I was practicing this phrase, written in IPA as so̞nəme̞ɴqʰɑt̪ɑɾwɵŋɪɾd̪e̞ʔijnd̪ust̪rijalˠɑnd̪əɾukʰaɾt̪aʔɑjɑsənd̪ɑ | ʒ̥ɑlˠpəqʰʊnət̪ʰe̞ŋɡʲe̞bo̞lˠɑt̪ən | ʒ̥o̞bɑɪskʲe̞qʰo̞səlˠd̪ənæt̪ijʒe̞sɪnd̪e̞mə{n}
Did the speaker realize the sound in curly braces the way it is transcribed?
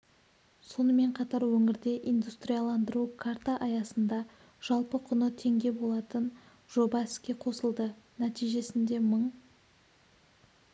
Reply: no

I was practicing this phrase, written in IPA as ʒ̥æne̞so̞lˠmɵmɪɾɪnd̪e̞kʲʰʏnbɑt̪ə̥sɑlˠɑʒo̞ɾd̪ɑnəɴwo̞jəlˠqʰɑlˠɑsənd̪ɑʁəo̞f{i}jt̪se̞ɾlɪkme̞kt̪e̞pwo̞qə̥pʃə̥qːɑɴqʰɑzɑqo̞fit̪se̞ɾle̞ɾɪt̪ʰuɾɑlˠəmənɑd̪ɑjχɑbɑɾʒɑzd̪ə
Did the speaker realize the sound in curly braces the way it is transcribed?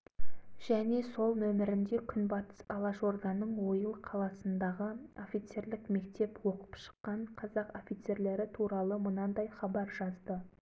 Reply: yes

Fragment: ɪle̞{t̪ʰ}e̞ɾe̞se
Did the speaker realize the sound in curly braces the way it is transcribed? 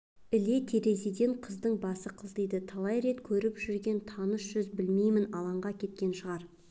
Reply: yes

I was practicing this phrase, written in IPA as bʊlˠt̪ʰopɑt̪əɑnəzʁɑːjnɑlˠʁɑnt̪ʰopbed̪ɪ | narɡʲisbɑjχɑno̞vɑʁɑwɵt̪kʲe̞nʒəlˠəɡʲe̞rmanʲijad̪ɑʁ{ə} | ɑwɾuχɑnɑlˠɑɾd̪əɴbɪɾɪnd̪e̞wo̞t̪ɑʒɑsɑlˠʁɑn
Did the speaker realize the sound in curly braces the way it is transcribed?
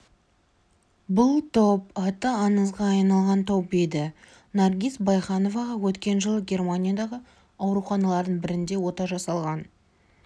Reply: yes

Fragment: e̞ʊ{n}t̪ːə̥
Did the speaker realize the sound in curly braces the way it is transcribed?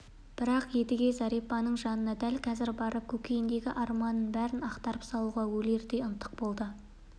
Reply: yes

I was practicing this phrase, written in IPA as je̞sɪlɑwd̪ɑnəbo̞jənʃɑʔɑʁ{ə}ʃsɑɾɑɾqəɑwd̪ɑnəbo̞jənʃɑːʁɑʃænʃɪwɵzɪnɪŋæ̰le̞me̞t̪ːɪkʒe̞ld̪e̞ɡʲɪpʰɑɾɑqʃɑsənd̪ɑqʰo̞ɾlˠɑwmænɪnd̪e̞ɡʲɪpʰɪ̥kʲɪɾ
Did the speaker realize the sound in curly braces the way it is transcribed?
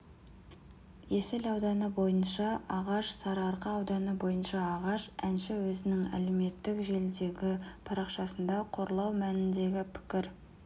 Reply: no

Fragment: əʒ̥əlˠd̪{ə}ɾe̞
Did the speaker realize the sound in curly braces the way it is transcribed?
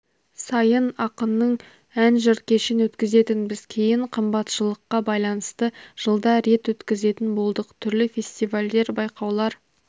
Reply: no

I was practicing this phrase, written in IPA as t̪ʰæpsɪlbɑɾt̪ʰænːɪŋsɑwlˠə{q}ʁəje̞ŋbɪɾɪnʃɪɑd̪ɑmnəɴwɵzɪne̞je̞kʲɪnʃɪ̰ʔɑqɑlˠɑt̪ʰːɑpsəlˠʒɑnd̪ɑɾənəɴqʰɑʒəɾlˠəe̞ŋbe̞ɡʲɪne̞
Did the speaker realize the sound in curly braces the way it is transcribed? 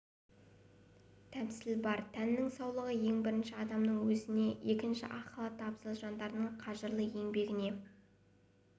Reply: no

